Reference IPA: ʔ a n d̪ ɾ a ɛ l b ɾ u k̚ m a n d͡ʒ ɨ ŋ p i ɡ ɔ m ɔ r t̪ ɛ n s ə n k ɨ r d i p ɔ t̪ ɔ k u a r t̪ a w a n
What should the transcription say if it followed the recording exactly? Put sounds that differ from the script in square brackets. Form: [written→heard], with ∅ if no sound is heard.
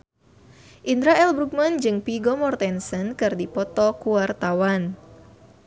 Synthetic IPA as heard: ʔ [a→i] n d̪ ɾ a ɛ l b ɾ u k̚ m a n d͡ʒ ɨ ŋ p i ɡ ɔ m ɔ r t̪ ɛ n s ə n k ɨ r d i p ɔ t̪ ɔ k u a r t̪ a w a n